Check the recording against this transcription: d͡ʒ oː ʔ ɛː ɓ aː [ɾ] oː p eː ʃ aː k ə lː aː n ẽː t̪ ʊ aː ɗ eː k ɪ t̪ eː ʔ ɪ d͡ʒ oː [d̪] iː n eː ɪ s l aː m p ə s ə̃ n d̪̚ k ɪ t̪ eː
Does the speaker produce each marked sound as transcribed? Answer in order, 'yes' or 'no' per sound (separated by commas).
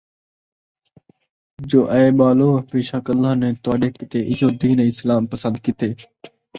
no, yes